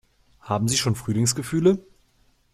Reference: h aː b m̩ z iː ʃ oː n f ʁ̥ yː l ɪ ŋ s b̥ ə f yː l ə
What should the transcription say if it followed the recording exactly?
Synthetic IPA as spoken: h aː b m̩ z iː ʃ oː n f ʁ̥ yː l ɪ ŋ s ɡ̥ ə f yː l ə